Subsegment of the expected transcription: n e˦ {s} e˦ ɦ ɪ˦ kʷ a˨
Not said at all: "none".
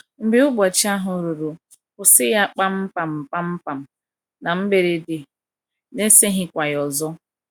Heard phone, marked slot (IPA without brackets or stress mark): s